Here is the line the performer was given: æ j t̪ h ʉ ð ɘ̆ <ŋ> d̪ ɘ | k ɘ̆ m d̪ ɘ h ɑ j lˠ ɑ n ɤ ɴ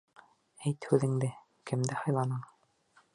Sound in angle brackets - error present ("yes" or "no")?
no